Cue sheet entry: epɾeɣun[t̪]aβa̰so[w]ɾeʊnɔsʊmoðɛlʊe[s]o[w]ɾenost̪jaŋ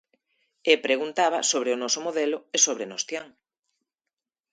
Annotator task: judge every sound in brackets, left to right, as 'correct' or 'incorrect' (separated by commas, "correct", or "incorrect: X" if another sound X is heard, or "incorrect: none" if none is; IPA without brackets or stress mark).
correct, incorrect: β, correct, incorrect: β